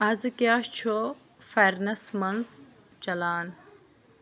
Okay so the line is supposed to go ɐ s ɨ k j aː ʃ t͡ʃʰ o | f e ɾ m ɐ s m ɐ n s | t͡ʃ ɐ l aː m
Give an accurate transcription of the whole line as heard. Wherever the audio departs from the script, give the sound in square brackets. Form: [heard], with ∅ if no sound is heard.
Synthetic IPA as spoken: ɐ [z] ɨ k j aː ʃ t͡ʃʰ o | f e ɾ [n] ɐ s m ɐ n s | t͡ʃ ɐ l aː [n]